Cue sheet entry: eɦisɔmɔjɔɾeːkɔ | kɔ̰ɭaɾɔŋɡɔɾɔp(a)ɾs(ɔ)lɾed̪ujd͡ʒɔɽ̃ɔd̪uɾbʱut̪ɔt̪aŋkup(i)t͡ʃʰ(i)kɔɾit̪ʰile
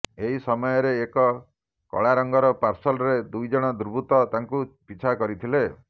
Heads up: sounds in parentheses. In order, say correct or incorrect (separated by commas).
correct, correct, correct, incorrect